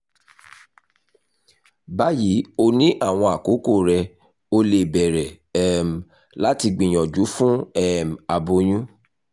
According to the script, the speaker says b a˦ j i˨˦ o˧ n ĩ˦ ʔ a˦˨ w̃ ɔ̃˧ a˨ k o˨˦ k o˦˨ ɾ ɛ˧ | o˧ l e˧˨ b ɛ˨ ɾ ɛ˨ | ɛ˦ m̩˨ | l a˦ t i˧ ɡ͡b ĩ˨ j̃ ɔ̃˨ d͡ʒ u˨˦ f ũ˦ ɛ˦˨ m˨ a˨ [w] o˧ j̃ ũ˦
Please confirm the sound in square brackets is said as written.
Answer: no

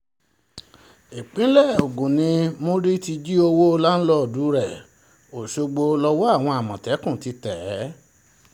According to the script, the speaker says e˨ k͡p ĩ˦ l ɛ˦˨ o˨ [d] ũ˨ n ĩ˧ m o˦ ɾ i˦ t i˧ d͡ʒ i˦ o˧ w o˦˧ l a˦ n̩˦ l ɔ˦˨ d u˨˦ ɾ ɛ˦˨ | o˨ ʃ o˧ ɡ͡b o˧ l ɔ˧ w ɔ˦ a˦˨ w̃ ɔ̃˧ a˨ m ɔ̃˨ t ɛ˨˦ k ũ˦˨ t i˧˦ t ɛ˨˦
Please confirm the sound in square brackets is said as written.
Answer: no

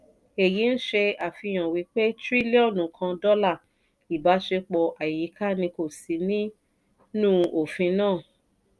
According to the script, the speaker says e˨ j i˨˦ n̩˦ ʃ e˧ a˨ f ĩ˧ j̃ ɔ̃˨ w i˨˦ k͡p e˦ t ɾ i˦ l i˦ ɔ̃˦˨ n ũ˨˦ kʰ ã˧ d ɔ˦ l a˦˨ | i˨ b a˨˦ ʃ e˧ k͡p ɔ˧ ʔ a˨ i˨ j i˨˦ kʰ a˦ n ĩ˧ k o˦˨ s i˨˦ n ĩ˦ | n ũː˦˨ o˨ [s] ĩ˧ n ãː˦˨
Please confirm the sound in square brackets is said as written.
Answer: no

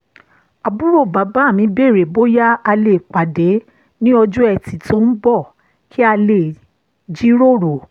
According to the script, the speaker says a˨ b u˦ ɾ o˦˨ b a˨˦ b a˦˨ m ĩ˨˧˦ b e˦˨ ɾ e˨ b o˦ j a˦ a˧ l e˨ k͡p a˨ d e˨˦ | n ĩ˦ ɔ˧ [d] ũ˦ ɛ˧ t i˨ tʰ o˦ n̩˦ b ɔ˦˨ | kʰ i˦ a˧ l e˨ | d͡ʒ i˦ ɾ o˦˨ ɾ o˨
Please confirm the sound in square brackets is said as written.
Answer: no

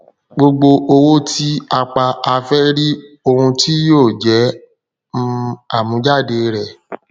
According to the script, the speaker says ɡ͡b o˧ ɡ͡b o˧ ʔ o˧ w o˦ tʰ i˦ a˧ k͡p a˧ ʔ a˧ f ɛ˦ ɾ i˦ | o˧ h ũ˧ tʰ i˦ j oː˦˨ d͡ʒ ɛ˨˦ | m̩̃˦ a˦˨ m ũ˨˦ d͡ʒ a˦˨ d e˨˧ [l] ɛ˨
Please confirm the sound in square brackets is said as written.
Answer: no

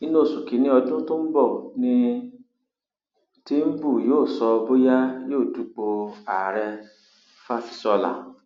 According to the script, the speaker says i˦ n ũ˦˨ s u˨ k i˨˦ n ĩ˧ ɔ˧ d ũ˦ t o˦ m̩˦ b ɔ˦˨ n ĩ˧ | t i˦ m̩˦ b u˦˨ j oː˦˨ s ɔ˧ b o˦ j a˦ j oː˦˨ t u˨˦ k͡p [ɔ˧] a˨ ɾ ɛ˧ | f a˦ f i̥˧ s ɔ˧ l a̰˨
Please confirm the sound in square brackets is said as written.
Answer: no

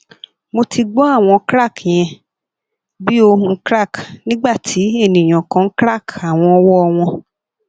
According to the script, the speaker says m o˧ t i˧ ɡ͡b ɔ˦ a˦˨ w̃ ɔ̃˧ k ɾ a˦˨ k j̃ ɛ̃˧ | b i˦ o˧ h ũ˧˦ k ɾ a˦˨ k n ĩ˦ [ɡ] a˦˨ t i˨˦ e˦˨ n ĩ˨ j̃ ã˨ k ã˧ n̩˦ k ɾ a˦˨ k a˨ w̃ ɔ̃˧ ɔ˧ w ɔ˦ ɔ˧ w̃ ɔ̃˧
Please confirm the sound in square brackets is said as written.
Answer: no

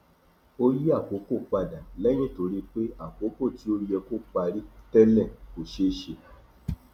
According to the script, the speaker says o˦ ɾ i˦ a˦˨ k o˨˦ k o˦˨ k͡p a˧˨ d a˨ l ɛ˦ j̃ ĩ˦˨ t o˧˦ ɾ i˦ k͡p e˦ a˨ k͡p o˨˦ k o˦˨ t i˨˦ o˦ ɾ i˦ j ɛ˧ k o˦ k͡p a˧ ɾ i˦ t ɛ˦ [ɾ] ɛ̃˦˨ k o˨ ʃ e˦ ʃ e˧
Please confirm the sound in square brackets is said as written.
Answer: no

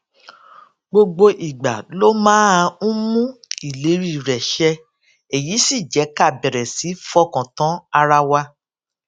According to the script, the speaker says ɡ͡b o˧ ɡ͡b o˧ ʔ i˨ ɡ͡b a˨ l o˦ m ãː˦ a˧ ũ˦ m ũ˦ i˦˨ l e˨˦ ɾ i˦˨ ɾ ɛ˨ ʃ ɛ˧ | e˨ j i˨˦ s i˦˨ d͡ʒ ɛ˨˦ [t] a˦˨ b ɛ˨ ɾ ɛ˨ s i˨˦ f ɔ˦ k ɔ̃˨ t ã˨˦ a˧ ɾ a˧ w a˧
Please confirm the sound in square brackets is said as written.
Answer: no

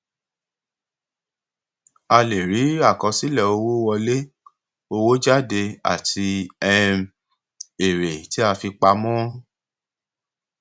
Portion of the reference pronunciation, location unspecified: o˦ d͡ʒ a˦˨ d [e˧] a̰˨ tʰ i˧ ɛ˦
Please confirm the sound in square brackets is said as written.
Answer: yes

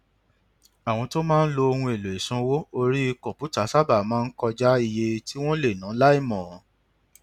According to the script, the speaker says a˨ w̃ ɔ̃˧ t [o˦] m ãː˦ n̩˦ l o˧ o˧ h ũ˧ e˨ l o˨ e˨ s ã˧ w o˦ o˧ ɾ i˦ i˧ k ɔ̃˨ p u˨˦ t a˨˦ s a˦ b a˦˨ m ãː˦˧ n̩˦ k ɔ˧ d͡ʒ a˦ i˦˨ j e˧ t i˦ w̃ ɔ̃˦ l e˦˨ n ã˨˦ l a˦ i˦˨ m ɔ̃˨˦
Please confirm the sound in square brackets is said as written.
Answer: yes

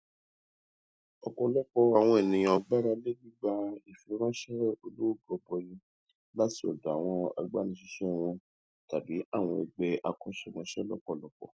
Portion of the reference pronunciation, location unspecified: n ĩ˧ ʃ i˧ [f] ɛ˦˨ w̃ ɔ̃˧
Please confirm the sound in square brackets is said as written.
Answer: no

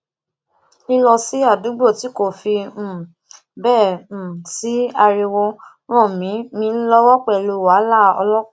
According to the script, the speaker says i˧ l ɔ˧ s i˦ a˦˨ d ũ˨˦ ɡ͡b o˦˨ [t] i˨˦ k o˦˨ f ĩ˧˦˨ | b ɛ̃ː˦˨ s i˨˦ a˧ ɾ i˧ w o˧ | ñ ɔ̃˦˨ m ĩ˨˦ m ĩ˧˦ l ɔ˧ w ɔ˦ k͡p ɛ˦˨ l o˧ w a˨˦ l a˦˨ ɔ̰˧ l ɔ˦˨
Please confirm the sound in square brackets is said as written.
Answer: yes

